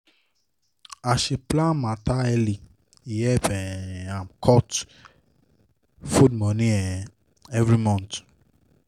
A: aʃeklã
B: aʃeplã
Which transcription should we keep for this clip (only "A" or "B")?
B